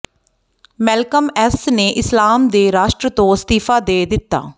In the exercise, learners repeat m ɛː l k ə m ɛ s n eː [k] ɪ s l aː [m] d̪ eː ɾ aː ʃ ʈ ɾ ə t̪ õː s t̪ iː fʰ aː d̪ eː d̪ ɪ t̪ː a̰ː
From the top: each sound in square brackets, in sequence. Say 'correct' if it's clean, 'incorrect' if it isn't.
incorrect: ʔ, correct

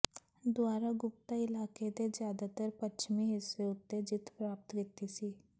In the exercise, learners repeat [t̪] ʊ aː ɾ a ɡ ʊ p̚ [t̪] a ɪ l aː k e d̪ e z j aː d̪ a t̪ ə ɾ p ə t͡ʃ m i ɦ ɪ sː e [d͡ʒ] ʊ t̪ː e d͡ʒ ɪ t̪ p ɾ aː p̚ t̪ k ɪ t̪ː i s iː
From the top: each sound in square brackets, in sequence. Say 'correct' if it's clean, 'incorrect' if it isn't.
incorrect: d̪, correct, incorrect: none

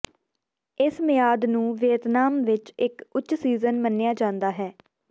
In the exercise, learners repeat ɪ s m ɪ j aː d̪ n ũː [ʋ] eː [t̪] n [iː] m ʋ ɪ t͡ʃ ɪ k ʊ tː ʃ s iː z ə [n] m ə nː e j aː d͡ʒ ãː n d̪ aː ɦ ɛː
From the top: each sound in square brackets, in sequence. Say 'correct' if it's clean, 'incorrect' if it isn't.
correct, correct, incorrect: aː, correct

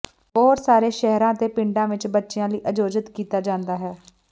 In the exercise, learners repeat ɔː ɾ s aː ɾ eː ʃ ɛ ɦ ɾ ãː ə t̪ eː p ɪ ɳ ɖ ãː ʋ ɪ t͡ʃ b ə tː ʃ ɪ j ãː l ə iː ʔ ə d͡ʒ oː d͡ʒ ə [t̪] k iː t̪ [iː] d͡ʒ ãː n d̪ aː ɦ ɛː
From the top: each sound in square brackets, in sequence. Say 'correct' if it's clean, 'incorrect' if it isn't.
correct, incorrect: aː

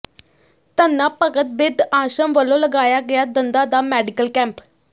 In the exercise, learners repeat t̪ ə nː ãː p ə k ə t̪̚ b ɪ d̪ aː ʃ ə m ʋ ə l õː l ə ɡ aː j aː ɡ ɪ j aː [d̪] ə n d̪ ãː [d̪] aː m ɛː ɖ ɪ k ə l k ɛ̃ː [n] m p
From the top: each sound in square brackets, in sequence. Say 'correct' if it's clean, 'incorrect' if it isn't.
correct, correct, incorrect: none

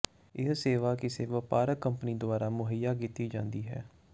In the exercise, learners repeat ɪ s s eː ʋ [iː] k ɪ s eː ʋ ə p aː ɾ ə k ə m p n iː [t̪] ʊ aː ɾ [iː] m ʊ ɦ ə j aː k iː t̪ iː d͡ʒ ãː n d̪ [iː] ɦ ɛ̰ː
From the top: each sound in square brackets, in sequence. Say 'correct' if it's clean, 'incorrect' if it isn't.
incorrect: aː, incorrect: d̪, incorrect: aː, correct

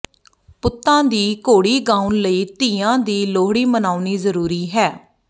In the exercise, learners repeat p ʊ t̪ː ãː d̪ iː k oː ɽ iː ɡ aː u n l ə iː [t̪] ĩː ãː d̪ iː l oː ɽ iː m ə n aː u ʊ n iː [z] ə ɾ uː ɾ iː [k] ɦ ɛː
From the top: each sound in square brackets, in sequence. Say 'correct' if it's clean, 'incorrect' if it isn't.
correct, correct, incorrect: none

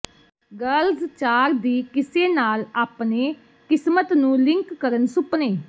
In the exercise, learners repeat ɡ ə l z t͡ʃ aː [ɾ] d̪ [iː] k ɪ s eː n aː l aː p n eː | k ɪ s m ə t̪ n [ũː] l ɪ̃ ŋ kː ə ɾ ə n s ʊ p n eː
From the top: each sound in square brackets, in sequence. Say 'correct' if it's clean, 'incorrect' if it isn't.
correct, correct, correct

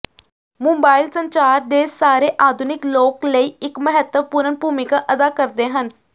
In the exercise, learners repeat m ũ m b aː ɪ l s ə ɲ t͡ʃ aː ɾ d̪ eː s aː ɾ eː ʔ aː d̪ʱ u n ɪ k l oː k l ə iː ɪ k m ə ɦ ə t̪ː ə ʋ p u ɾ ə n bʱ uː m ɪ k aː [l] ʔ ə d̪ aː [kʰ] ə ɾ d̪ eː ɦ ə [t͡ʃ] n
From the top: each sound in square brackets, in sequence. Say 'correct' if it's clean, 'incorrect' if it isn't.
incorrect: none, incorrect: k, incorrect: none

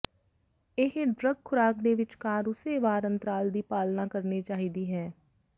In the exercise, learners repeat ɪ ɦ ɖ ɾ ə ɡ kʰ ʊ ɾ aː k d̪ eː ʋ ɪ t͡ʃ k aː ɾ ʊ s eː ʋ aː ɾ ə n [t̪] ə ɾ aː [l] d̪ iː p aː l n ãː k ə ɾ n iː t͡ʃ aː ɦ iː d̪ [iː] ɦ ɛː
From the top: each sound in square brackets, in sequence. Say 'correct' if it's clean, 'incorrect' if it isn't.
correct, correct, correct

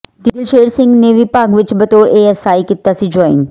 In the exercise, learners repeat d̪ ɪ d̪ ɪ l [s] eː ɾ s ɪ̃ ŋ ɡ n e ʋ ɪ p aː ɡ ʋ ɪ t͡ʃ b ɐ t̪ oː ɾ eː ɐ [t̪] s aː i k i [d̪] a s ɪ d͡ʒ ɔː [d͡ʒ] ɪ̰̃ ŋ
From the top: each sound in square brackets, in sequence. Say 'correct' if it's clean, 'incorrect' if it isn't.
incorrect: ʃ, incorrect: none, incorrect: t̪, incorrect: none

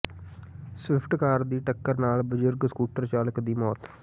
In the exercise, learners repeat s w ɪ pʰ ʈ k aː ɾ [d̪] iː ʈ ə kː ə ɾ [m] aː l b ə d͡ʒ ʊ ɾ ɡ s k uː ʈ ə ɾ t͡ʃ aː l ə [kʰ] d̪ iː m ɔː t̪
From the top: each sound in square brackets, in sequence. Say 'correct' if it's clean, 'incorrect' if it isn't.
correct, incorrect: n, incorrect: k

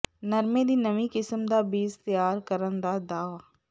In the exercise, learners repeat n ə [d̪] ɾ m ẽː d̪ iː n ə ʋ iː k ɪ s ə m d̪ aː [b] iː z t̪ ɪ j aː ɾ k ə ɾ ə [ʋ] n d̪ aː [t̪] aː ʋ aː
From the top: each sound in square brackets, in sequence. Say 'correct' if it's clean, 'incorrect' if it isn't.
incorrect: none, correct, incorrect: none, incorrect: d̪

